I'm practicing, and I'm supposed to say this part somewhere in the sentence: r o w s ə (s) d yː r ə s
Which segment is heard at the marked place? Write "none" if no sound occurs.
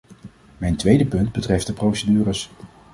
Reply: none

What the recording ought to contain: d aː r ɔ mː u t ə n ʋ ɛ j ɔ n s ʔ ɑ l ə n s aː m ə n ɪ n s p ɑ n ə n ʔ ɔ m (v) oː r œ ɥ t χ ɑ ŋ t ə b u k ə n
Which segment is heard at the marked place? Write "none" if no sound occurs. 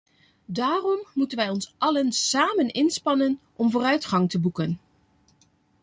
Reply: v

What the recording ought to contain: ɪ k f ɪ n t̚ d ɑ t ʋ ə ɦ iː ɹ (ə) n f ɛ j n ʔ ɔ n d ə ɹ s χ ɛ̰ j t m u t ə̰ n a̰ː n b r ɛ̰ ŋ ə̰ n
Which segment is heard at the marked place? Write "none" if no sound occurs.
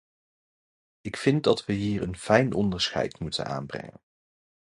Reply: ə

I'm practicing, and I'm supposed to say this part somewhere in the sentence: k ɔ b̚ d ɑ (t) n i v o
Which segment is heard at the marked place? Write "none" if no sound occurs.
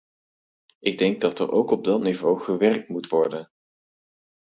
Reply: t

